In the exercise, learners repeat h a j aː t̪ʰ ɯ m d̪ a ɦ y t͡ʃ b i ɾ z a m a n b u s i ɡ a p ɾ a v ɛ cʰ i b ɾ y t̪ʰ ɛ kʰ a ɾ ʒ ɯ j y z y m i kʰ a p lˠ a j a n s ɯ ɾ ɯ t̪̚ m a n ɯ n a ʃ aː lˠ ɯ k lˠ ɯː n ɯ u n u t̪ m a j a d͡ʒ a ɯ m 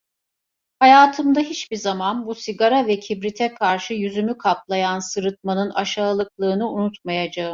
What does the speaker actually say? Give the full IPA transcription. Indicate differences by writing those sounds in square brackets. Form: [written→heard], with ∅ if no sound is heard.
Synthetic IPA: h a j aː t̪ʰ ɯ m d̪ a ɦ [y→i] t͡ʃ b i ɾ z a m a n b u s i ɡ a [p→∅] ɾ a v ɛ cʰ i b ɾ [y→i] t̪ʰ ɛ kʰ a ɾ [ʒ→ʃ] ɯ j y z y m [i→y] kʰ a p lˠ a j a n s ɯ ɾ ɯ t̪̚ m a n ɯ n a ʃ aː lˠ ɯ k lˠ ɯː n ɯ u n u t̪ m a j a d͡ʒ a ɯ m